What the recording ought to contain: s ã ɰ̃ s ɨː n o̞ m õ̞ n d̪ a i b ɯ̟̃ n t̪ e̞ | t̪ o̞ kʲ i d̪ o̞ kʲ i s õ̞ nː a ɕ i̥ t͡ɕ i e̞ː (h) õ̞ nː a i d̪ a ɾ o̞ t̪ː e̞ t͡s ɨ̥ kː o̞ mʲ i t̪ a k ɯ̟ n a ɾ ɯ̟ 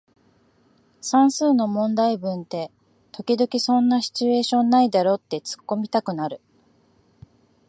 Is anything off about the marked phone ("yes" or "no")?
yes